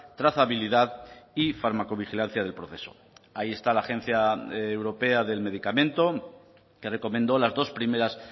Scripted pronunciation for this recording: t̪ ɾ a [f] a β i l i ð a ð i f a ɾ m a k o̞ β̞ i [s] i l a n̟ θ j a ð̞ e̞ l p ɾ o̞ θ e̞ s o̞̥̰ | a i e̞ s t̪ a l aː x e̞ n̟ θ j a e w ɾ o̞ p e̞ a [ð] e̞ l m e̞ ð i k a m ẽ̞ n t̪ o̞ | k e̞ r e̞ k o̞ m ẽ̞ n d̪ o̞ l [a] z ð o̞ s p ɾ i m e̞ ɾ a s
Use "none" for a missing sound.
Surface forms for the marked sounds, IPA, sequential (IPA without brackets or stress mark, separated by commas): θ, x, ð, a